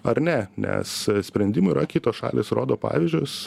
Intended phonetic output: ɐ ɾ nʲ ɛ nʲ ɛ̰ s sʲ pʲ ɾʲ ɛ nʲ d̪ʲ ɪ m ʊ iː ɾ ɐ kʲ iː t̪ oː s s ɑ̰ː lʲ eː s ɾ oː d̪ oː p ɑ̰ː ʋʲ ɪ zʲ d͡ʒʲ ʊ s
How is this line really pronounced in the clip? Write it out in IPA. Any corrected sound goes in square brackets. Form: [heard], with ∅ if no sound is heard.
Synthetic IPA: ɐ ɾ nʲ ɛ nʲ ɛ̰ s sʲ pʲ ɾʲ ɛ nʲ d̪ʲ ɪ m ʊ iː ɾ ɐ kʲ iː t̪ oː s [ʃ] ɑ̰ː lʲ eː s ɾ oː d̪ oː p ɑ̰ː ʋʲ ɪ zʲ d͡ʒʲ ʊ s